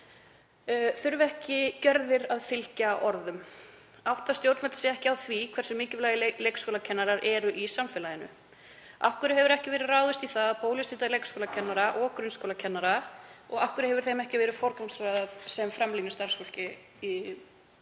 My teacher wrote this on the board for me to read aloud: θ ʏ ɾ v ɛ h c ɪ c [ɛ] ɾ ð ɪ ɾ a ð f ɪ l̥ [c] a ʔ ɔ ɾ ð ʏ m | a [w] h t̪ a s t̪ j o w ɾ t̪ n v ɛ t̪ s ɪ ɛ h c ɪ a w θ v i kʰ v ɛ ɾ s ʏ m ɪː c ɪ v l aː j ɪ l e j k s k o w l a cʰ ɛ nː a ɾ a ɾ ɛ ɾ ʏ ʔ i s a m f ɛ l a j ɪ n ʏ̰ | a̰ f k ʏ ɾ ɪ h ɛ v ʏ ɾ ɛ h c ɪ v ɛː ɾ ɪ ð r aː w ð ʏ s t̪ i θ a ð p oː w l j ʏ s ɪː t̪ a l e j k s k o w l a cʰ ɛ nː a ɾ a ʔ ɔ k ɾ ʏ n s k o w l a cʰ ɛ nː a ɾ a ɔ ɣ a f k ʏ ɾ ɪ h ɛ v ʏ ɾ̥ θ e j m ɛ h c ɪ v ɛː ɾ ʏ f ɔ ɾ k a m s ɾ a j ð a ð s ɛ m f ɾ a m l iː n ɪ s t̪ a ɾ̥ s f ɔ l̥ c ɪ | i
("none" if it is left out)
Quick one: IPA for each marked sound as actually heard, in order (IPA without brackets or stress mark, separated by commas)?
œ, c, w